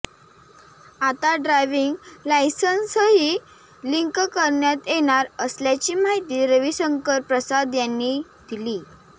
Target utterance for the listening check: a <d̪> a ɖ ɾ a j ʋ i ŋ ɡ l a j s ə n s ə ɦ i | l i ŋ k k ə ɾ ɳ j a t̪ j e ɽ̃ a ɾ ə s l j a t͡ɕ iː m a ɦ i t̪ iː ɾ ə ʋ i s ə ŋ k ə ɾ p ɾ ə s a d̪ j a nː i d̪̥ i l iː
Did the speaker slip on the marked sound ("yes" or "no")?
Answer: yes